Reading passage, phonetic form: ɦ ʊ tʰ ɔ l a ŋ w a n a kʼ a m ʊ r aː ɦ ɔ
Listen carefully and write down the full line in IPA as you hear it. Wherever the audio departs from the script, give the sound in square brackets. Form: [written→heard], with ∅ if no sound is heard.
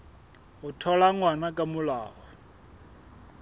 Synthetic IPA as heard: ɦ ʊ tʰ ɔ l a ŋ w a n a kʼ a m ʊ [r→l] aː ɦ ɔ